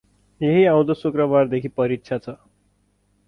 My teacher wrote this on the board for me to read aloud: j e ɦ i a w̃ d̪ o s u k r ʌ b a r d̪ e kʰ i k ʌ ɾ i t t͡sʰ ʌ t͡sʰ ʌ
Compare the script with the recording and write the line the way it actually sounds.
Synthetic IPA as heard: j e ɦ i a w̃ d̪ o s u k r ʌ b a r d̪ e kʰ i p ʌ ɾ i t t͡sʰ a t͡sʰ ʌ